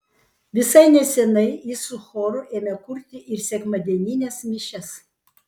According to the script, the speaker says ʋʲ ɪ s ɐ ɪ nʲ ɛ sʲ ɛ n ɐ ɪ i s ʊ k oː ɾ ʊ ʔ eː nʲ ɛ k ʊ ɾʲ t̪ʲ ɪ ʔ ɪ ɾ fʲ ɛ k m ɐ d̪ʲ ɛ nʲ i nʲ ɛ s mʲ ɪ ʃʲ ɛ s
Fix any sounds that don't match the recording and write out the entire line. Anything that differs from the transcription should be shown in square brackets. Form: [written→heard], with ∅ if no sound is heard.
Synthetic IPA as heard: ʋʲ ɪ s ɐ ɪ nʲ ɛ sʲ ɛ n ɐ ɪ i s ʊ [k→x] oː ɾ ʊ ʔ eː [nʲ→mʲ] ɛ k ʊ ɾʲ t̪ʲ ɪ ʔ ɪ ɾ [fʲ→sʲ] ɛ k m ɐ d̪ʲ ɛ nʲ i nʲ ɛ s mʲ ɪ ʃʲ ɛ s

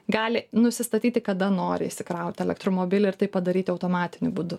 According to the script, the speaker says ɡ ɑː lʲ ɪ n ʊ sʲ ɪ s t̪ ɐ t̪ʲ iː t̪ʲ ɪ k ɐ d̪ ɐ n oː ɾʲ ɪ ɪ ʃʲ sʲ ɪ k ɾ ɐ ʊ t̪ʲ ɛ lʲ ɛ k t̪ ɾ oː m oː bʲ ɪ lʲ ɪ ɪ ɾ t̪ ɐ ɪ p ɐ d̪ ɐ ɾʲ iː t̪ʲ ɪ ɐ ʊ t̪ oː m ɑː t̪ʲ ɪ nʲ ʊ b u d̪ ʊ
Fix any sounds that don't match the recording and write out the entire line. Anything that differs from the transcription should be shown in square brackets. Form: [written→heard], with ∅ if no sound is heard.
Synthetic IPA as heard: ɡ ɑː lʲ ɪ n ʊ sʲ ɪ s t̪ ɐ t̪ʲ iː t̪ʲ ɪ k ɐ d̪ ɐ n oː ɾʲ ɪ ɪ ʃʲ sʲ ɪ k ɾ ɐ ʊ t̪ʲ ɛ lʲ ɛ k t̪ ɾ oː m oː bʲ ɪ lʲ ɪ ɪ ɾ t̪ ɐ ɪ p ɐ d̪ ɐ ɾʲ iː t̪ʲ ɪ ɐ ʊ t̪ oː m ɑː t̪ʲ ɪ nʲ ʊ b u d̪ ʊ

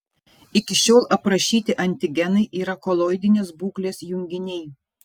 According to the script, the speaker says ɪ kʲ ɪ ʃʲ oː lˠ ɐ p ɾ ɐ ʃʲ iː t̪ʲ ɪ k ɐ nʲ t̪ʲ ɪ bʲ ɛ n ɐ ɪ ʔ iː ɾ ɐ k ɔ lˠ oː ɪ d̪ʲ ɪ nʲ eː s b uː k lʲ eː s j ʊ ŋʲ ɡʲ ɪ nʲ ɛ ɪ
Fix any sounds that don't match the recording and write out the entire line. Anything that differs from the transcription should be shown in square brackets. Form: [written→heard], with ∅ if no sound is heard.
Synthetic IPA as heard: ɪ kʲ ɪ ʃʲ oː lˠ ɐ p ɾ ɐ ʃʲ iː t̪ʲ ɪ [k→ʔ] ɐ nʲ t̪ʲ ɪ [bʲ→ɡʲ] ɛ n ɐ ɪ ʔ iː ɾ ɐ k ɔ lˠ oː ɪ d̪ʲ ɪ nʲ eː s b uː k lʲ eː s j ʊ ŋʲ ɡʲ ɪ nʲ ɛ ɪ

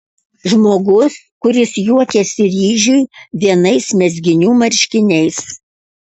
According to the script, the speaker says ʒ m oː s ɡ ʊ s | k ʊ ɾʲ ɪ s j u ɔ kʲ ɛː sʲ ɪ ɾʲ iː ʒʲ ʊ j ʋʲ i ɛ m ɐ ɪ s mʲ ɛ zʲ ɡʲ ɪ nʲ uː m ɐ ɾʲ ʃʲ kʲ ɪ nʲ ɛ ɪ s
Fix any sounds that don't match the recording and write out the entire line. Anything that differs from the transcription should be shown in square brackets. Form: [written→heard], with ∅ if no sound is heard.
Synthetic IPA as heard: ʒ m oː [s→∅] ɡ ʊ s | k ʊ ɾʲ ɪ s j u ɔ kʲ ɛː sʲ ɪ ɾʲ iː ʒʲ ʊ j ʋʲ i ɛ [m→n] ɐ ɪ s mʲ ɛ zʲ ɡʲ ɪ nʲ uː m ɐ ɾʲ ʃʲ kʲ ɪ nʲ ɛ ɪ s

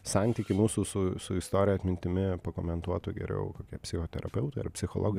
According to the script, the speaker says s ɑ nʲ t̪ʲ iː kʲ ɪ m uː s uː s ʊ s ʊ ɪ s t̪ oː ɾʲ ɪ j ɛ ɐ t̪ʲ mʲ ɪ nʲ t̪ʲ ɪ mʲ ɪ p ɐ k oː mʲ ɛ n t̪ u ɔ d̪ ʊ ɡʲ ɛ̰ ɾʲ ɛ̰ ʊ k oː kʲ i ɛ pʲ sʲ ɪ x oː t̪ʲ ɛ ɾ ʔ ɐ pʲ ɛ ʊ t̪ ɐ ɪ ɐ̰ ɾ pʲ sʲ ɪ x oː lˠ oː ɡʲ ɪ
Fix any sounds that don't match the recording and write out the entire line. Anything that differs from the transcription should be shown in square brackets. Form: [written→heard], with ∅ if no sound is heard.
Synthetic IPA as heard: s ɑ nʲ t̪ʲ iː kʲ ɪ m uː s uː s ʊ s ʊ ɪ s t̪ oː ɾʲ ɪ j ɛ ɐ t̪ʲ mʲ ɪ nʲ t̪ʲ ɪ mʲ ɪ p ɐ k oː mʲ ɛ n t̪ u ɔ [d̪→t̪] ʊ ɡʲ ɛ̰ ɾʲ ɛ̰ ʊ k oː kʲ i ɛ pʲ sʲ ɪ x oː t̪ʲ ɛ ɾ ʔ ɐ pʲ ɛ ʊ t̪ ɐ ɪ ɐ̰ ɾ pʲ sʲ ɪ x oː lˠ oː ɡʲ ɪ

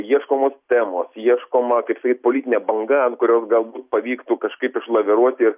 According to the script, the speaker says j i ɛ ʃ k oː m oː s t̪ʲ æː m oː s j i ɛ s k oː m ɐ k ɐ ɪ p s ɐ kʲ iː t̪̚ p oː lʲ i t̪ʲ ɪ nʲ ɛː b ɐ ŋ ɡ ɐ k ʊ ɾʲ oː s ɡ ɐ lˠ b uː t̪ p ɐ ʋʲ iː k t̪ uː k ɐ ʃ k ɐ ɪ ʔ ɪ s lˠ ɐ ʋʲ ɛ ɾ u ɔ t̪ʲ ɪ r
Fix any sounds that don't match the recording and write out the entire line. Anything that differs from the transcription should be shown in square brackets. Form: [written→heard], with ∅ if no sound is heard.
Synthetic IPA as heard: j i ɛ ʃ k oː m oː s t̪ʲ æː m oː s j i ɛ [s→ʃ] k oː m ɐ k ɐ ɪ p s ɐ kʲ iː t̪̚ p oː lʲ i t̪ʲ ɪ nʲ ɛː b ɐ ŋ ɡ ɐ k ʊ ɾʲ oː s ɡ ɐ lˠ b uː t̪ p ɐ ʋʲ iː k t̪ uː k ɐ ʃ k ɐ ɪ [ʔ→p] ɪ [s→ʃ] lˠ ɐ ʋʲ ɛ ɾ u ɔ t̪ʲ ɪ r

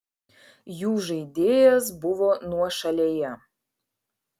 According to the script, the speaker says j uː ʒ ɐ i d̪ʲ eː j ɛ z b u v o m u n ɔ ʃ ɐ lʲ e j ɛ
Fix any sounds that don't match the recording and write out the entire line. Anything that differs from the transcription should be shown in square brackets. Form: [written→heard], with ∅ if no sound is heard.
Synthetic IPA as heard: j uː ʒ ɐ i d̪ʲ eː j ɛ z b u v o [m→n] u [n→∅] ɔ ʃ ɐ lʲ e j ɛ

